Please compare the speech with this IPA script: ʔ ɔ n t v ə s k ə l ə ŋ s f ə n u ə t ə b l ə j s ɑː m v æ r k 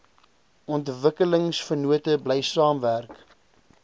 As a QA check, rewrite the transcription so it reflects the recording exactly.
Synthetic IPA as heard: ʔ ɔ n t v ə k ə l ə ŋ s f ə n u ə t ə b l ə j s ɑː m v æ r k

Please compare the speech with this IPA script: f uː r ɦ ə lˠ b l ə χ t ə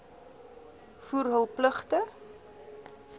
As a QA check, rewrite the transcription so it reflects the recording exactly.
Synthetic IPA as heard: f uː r ɦ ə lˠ p l ə χ t ə

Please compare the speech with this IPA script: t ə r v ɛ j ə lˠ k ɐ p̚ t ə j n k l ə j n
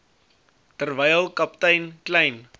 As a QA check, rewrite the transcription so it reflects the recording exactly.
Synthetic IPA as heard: t ə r v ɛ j ə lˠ k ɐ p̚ t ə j n k l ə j n

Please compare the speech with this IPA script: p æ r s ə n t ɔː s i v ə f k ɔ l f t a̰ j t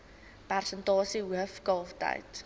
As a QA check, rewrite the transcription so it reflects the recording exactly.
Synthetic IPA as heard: p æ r s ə n t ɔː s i w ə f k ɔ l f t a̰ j t

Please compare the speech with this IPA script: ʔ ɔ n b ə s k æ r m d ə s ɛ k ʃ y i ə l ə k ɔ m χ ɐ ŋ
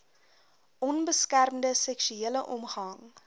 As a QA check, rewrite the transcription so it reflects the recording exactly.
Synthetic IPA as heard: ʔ ɔ n b ə s k æ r m d ə s ɛ k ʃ y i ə l ə ʔ ɔ m χ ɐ ŋ

